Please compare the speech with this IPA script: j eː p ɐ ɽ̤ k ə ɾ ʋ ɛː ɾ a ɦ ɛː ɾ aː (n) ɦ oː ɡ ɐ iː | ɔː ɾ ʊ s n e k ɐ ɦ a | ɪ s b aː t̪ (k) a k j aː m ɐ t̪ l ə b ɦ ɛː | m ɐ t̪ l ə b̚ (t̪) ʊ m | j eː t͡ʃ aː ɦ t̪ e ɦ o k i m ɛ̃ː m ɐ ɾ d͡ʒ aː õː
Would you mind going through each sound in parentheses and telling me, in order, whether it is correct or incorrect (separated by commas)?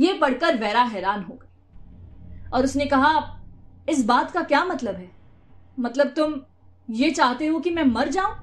correct, correct, correct